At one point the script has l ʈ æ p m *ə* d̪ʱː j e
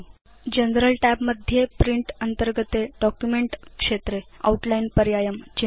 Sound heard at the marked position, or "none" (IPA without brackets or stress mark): ə